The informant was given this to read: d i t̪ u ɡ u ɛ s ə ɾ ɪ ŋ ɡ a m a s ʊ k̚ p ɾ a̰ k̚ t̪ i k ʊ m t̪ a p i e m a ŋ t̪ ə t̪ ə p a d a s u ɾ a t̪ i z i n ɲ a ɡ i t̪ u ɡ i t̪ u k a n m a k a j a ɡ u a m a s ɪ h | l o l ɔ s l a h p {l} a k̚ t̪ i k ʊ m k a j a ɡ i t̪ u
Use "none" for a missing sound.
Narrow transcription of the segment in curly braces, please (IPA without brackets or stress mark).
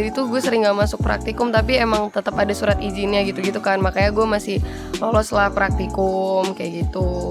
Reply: ɾ